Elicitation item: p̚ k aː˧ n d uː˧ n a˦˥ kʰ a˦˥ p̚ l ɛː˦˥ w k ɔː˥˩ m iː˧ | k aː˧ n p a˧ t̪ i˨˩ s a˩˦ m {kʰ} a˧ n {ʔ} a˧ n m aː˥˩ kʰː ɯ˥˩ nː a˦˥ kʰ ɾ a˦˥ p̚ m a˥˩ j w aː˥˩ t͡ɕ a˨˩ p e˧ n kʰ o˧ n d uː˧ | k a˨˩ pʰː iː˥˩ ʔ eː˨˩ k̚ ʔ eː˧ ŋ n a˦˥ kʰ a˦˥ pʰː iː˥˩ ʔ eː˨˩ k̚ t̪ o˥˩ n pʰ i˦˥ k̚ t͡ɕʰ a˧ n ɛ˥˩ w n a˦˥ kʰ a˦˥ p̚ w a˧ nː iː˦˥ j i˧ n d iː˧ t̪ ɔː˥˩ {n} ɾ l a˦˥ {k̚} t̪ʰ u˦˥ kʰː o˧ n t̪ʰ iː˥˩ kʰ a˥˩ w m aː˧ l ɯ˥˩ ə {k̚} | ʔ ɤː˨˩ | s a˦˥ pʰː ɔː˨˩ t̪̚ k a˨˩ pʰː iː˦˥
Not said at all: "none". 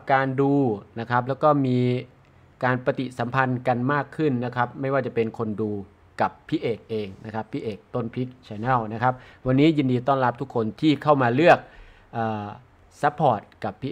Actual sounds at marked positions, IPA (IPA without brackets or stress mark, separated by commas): pʰ, k, n, p̚, k̚